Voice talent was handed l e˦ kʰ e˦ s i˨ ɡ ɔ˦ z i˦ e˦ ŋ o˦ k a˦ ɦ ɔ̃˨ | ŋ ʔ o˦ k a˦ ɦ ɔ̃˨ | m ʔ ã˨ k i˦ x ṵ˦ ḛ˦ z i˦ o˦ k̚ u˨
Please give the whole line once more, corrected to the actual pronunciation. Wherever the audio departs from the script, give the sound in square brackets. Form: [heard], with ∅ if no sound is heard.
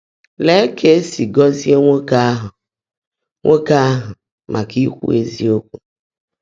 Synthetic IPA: l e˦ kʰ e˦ s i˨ ɡ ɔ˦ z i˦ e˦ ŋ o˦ k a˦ ɦ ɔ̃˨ | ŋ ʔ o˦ k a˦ ɦ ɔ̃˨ | m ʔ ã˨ k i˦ x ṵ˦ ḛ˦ z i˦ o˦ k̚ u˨

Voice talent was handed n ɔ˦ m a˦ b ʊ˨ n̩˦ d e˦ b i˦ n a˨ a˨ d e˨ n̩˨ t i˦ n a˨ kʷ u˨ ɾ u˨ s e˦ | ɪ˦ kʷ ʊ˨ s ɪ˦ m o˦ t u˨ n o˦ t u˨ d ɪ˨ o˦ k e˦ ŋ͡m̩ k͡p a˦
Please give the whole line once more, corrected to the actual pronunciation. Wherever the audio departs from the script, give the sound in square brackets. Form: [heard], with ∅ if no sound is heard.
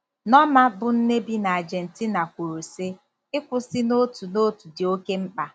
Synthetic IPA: n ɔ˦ m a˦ b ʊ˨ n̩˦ [n] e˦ b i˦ n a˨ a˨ [d͡ʒ] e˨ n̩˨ t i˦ n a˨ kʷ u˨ ɾ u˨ s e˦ | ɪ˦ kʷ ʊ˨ s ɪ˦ [n] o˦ t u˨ n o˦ t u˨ d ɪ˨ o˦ k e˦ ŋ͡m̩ k͡p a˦

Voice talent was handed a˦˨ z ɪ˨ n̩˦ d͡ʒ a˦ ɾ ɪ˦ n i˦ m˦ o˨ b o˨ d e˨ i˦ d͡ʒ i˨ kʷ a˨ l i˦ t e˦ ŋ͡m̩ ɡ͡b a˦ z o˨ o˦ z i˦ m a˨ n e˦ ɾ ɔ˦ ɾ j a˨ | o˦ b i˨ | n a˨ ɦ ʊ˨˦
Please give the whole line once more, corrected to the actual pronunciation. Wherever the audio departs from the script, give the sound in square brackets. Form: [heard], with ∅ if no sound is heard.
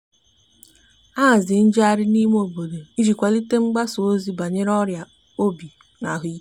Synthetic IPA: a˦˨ z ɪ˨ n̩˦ d͡ʒ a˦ ɾ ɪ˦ n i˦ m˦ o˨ b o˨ d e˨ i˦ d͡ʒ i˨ kʷ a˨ l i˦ t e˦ ŋ͡m̩ ɡ͡b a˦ [s] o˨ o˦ z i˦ [b] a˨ [ɲ] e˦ ɾ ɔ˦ ɾ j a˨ | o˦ b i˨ | n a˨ ɦ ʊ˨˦

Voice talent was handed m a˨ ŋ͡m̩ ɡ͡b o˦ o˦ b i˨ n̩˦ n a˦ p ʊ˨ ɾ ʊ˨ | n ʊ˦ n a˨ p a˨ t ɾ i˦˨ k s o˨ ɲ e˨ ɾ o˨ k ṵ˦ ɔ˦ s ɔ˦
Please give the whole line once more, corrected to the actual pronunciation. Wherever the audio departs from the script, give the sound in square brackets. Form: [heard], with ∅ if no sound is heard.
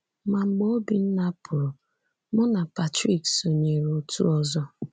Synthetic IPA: m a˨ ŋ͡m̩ ɡ͡b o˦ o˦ b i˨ n̩˦ n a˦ p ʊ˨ ɾ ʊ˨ | [m] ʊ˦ n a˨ p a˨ t ɾ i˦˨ k s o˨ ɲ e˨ ɾ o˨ [t] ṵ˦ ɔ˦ [z] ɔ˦

